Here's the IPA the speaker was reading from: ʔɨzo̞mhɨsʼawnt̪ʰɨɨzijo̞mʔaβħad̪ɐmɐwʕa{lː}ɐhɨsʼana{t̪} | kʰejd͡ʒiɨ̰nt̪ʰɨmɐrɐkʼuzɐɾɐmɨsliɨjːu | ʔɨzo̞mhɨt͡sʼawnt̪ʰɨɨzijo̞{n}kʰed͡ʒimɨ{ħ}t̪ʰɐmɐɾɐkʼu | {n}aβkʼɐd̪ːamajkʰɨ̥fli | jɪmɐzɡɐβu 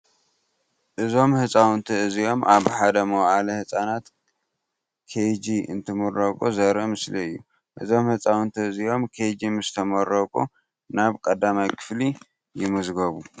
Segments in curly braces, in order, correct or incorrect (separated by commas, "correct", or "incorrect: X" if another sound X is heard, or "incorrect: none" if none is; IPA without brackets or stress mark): incorrect: l, correct, incorrect: m, incorrect: s, correct